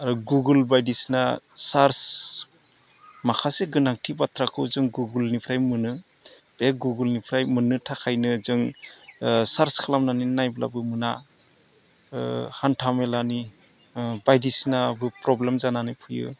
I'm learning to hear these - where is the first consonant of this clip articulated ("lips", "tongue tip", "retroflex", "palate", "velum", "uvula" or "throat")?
tongue tip